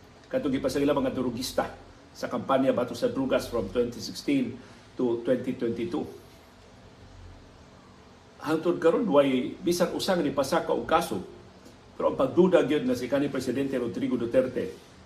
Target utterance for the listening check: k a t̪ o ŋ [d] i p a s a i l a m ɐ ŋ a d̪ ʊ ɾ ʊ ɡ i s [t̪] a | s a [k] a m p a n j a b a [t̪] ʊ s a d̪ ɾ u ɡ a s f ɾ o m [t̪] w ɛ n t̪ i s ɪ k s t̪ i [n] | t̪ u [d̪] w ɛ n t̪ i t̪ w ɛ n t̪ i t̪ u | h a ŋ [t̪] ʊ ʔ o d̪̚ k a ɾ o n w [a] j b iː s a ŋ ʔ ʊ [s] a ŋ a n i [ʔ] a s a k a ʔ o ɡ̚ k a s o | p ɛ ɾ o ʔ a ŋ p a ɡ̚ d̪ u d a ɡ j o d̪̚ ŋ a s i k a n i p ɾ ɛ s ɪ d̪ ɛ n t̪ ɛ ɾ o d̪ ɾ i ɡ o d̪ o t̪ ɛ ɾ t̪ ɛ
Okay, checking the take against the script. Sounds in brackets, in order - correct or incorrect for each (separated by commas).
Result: incorrect, correct, correct, correct, correct, correct, incorrect, correct, correct, correct, incorrect